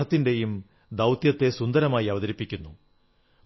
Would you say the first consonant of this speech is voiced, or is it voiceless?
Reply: voiceless